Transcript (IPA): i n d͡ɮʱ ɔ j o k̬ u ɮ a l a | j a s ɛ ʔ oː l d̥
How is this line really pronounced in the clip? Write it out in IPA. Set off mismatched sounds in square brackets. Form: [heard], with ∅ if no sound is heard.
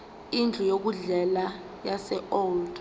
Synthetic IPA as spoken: i n d͡ɮʱ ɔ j o k̬ u ɮ [ɛ] l a | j a s ɛ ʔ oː l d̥